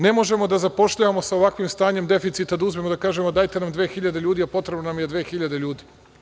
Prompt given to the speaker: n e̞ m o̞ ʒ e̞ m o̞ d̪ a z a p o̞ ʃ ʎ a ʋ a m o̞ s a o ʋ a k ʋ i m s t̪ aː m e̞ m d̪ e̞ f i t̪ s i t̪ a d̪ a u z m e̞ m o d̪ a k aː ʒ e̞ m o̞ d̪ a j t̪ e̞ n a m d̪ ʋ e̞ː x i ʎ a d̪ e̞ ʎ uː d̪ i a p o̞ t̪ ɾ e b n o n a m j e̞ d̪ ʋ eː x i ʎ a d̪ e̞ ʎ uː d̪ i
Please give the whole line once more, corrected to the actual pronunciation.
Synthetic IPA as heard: n e̞ m o̞ ʒ e̞ m o̞ d̪ a z a p o̞ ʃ ʎ a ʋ a m o̞ s a o ʋ a k ʋ i m s t̪ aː ɲ e̞ m d̪ e̞ f i t̪ s i t̪ a d̪ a u z m e̞ m o d̪ a k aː ʒ e̞ m o̞ d̪ a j t̪ e̞ n a m d̪ ʋ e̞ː x i ʎ a d̪ e̞ ʎ uː d̪ i a p o̞ t̪ ɾ e b n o n a m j e̞ d̪ ʋ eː x i ʎ a d̪ e̞ ʎ uː d̪ i